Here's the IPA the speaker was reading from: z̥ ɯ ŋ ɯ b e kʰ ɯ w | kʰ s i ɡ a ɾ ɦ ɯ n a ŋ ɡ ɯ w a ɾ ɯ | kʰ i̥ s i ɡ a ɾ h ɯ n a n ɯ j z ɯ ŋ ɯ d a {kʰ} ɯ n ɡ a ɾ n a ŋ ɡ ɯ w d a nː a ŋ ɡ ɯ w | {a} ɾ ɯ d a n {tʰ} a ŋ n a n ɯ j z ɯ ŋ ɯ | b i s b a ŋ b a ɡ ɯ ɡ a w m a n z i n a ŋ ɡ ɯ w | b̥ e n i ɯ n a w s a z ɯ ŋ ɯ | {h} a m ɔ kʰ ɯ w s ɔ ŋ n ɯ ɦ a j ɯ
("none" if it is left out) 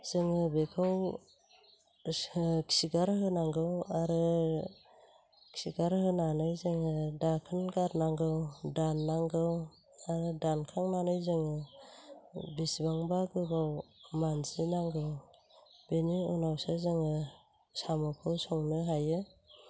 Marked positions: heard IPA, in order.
kʰ, a, kʰ, s

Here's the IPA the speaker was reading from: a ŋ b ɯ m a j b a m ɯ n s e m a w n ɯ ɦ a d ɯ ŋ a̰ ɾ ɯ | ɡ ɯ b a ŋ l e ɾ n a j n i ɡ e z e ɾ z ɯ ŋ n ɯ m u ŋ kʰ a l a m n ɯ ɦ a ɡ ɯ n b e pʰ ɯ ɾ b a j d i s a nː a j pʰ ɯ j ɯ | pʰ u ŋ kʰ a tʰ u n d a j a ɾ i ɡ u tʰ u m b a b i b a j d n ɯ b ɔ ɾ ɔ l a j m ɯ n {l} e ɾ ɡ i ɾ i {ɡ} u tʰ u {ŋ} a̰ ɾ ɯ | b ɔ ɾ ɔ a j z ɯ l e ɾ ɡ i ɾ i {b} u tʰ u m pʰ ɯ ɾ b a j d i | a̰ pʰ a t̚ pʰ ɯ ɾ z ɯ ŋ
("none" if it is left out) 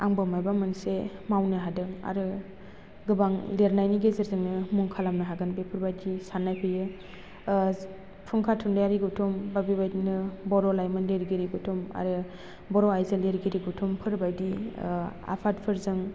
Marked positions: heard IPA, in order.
l, ɡ, m, ɡ

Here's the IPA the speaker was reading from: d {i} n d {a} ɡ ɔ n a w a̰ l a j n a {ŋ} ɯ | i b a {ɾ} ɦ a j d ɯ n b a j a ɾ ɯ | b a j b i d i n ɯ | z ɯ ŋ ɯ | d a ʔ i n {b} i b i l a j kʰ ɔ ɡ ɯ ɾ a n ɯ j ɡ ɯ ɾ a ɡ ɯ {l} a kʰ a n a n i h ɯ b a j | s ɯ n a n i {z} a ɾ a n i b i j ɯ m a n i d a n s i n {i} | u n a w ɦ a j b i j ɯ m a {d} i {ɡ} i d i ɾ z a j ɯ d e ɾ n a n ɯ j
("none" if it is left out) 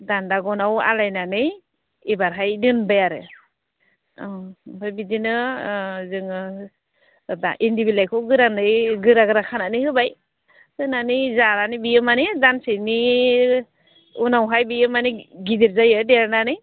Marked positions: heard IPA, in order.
a, a, n, ɾ, d, ɾ, z, i, n, ɡ

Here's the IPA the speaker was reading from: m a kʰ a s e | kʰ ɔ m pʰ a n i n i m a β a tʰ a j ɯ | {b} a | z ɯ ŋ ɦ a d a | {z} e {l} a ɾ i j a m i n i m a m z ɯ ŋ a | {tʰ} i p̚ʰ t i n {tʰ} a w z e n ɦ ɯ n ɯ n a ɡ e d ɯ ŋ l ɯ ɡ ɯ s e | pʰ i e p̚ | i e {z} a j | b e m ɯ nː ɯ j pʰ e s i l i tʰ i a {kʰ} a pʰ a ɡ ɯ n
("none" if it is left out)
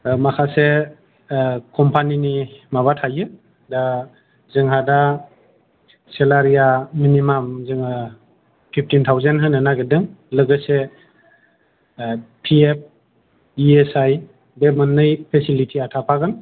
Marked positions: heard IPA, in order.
d, s, l, pʰ, tʰ, s, tʰ

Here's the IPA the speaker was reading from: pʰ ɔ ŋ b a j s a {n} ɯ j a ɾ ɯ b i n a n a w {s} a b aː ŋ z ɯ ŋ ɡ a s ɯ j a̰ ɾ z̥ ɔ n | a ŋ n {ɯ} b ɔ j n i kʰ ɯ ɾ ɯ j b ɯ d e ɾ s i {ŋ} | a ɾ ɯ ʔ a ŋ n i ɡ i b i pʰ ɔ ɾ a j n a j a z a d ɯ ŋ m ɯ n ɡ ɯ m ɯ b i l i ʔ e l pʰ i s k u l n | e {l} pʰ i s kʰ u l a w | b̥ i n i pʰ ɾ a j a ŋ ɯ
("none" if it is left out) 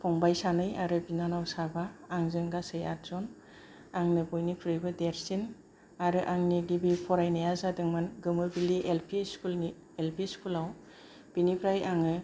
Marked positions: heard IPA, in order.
n, s, ɯ, n, l

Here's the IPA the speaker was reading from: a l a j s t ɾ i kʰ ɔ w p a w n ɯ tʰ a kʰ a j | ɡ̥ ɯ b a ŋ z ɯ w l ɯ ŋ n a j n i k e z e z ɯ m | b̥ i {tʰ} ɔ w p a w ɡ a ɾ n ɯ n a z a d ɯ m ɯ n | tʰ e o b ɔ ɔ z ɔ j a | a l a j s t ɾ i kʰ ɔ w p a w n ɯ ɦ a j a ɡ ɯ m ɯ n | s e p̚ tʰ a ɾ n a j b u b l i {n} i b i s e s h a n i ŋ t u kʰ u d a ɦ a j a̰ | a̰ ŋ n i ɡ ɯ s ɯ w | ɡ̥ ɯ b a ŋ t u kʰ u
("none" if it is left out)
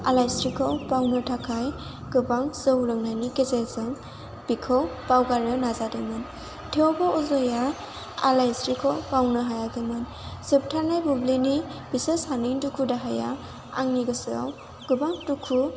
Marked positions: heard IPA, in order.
kʰ, n

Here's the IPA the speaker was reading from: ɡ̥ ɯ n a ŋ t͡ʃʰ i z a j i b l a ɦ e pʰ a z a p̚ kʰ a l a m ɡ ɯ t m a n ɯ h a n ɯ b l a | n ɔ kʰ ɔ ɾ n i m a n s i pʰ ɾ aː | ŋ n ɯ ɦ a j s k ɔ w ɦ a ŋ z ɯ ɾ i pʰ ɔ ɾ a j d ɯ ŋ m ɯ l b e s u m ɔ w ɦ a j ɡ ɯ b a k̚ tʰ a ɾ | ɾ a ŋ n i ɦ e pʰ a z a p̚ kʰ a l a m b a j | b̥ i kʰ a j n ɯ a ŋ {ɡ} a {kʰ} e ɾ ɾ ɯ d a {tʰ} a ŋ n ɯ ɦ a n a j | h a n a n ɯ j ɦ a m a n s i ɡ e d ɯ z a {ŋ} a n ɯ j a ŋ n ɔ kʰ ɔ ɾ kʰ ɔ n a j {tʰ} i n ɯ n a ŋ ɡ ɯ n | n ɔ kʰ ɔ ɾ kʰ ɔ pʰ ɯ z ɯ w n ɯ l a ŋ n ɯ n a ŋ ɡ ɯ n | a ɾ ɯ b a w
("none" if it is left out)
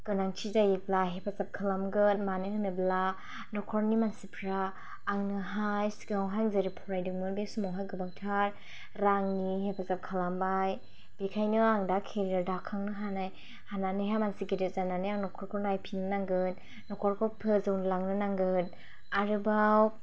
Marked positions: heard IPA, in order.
d, kʰ, kʰ, n, pʰ

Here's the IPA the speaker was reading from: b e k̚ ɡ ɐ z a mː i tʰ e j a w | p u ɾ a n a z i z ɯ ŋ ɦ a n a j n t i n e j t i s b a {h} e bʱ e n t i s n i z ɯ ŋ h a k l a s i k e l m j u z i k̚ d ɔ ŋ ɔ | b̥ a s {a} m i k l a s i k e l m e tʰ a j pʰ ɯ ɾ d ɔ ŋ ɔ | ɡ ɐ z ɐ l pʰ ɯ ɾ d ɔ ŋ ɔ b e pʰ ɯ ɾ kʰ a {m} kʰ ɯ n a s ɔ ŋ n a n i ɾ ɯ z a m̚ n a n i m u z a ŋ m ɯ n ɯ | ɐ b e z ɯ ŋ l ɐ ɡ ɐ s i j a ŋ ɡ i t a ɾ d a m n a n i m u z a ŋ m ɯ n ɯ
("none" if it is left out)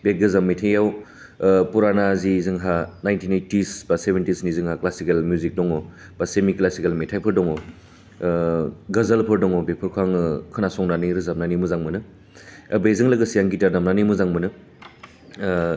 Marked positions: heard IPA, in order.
s, e, ŋ

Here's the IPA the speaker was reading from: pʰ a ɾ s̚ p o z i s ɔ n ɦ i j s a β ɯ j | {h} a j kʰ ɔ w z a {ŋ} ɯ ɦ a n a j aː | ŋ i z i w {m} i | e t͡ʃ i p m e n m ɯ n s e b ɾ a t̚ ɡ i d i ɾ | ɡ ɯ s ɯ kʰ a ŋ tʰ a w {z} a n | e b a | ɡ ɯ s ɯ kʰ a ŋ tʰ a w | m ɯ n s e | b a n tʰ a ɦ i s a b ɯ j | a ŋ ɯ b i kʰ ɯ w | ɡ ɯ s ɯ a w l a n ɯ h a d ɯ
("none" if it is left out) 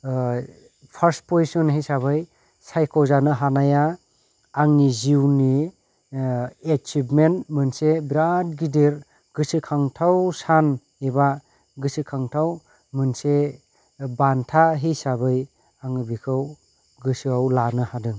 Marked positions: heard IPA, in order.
s, n, n, s

